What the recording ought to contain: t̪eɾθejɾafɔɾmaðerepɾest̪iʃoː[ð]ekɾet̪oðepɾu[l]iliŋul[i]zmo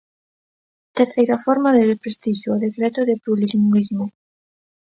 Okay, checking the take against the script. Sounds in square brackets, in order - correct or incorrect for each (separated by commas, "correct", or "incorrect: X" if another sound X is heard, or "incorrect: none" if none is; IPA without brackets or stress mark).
correct, correct, correct